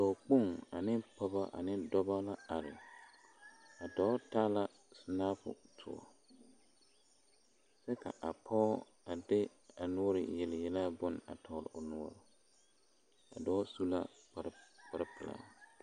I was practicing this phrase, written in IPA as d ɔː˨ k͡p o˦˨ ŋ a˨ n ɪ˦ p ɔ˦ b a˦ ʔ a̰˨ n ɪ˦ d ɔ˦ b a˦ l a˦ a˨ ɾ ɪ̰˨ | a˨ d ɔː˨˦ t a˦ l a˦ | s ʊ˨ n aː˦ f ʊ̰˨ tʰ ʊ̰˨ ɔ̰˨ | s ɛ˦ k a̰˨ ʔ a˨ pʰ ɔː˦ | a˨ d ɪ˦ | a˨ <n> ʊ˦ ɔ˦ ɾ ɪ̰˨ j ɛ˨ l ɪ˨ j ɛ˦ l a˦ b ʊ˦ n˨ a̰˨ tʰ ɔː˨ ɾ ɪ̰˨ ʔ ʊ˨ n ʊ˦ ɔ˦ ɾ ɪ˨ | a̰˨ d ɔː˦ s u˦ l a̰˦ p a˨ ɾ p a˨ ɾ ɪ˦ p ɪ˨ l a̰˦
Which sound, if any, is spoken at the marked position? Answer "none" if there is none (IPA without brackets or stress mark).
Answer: n